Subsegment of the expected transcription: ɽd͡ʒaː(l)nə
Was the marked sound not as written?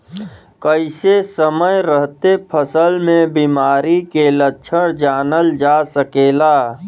yes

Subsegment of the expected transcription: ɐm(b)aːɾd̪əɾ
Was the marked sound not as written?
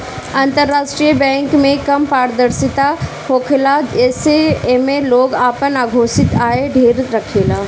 yes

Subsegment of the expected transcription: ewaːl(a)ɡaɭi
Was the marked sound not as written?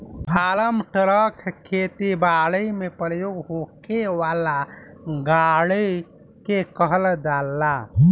no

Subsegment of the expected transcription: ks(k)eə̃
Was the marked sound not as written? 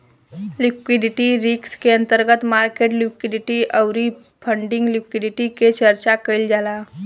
no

